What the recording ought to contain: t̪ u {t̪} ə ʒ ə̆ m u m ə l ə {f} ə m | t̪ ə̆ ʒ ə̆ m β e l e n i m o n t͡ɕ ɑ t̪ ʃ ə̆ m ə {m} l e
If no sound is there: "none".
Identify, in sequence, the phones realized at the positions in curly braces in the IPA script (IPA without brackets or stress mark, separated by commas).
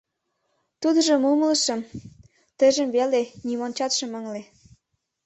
d̪, ʃ, ŋ